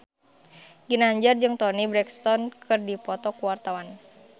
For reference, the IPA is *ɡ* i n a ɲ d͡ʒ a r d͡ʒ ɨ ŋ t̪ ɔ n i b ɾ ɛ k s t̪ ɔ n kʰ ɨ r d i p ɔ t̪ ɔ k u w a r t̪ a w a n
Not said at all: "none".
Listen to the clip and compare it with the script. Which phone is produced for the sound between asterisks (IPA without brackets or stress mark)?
ɡ